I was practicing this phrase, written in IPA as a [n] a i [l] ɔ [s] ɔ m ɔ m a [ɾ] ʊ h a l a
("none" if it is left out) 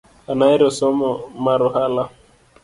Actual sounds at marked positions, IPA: n, ɾ, s, ɾ

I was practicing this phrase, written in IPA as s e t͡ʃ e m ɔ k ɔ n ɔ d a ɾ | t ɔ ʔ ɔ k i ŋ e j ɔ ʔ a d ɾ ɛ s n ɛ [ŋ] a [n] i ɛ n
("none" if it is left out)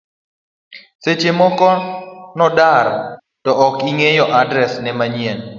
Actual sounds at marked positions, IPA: m, ɲ

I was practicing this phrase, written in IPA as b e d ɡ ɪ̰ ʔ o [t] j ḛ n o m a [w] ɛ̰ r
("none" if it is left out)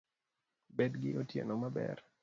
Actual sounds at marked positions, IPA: t, b

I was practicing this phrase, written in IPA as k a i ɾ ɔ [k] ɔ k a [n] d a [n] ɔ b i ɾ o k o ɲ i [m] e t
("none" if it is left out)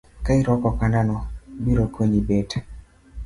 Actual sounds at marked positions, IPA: k, n, n, b

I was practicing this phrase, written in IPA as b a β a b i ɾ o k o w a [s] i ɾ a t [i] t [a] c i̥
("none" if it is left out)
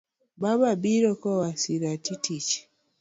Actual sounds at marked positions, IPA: s, i, i

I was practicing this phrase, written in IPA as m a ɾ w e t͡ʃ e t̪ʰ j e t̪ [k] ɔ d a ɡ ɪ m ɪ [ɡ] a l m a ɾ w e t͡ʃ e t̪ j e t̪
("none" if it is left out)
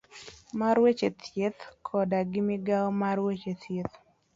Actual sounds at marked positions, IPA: kʰ, ɡ

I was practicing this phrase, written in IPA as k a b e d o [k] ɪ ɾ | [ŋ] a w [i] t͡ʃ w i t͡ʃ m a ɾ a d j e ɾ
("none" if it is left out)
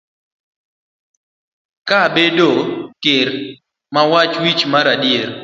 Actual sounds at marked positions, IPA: k, m, a

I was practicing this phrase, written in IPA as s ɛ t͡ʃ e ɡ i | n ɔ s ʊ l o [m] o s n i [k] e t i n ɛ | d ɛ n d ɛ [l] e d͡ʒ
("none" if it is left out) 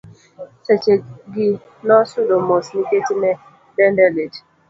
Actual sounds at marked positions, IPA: m, k, l

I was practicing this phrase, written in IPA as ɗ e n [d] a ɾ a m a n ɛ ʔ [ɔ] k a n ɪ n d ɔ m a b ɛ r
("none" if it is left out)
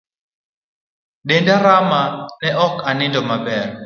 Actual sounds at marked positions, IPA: d, ɔ

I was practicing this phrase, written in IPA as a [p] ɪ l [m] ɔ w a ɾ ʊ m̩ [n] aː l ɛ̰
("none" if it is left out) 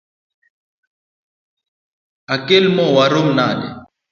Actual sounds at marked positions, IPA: k, m, n

